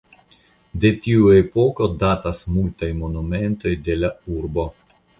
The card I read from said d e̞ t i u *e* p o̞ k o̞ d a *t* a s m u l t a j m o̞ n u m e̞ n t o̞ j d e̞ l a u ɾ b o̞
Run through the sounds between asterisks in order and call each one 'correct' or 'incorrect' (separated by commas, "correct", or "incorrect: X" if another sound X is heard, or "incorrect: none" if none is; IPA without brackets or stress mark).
correct, correct